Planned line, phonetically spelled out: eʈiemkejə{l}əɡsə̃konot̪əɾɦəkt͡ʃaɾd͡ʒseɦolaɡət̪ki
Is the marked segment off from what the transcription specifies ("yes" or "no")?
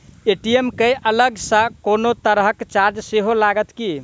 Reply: no